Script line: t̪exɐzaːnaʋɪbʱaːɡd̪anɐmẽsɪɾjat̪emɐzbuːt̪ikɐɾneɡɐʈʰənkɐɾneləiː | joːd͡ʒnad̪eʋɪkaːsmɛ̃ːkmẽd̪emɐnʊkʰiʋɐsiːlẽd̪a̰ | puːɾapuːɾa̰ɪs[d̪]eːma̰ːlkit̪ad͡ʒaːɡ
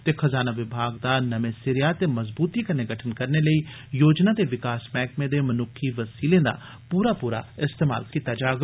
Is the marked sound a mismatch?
yes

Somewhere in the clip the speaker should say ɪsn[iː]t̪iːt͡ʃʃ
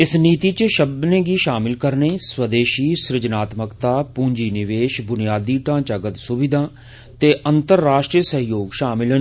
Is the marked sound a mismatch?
no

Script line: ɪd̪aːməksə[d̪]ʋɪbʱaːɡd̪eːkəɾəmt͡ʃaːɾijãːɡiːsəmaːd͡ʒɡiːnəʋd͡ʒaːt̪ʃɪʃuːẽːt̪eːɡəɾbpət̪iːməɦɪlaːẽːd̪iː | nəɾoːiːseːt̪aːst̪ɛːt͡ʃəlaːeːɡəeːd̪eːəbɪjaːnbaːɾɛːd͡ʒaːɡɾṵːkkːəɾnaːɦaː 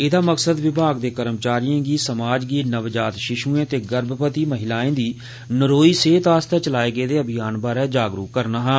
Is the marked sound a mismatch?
no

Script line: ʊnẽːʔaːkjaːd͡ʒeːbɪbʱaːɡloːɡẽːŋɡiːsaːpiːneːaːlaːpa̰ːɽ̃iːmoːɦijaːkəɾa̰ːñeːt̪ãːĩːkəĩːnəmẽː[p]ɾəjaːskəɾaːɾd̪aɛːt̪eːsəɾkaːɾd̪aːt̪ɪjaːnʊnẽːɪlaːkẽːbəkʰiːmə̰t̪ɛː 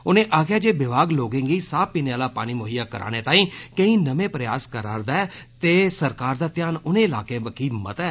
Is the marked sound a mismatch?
no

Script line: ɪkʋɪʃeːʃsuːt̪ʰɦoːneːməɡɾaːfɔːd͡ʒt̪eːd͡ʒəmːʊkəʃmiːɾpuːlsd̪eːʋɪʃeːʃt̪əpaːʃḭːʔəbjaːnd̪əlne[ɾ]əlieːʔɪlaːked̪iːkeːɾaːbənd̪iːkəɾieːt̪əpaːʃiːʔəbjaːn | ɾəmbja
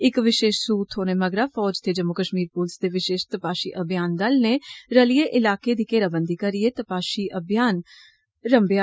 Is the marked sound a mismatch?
no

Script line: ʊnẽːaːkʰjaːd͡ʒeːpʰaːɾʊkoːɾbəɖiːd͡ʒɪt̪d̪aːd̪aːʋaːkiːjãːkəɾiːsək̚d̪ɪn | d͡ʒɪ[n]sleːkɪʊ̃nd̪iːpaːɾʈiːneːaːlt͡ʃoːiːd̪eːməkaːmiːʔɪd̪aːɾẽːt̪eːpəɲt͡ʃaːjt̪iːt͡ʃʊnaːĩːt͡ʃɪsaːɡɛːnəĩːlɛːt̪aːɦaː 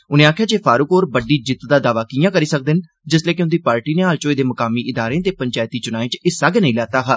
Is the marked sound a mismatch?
yes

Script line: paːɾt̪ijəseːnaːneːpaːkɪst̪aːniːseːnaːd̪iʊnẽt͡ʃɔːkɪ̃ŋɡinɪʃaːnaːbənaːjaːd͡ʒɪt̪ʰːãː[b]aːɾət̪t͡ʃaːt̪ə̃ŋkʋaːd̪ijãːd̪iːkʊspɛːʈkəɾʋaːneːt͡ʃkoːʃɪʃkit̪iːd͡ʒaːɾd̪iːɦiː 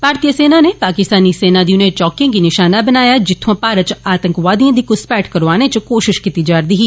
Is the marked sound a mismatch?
yes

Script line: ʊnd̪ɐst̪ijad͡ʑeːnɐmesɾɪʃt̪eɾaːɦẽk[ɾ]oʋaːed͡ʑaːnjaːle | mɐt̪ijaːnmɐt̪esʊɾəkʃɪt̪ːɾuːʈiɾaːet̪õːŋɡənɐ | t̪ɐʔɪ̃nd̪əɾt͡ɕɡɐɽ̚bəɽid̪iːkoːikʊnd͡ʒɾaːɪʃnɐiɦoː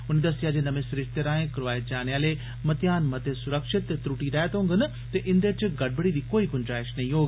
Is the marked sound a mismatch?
no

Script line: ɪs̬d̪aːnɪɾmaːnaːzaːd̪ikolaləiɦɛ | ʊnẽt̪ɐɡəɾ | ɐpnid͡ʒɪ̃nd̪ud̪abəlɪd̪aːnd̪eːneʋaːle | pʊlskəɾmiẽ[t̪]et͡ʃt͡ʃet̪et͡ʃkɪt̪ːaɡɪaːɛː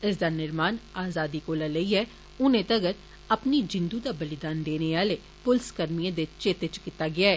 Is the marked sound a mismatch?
yes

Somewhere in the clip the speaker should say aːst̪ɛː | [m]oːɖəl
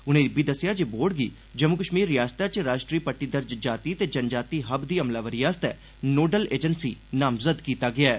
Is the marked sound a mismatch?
yes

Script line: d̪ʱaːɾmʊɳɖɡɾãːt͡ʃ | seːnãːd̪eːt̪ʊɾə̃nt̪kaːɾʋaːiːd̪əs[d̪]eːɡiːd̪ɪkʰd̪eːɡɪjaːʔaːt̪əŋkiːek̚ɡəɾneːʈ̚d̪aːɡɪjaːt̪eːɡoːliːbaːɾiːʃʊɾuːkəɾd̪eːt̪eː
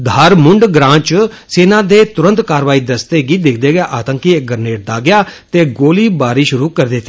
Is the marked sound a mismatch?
yes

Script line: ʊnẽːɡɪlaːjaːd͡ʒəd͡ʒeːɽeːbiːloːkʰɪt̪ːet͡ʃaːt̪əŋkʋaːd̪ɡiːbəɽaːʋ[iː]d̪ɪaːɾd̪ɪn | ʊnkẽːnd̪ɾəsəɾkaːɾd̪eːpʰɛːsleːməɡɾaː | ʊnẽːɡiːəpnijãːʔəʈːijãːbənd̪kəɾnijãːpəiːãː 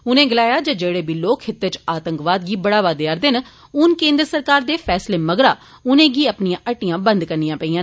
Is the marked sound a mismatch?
yes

